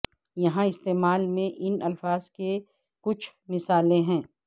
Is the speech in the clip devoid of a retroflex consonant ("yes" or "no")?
yes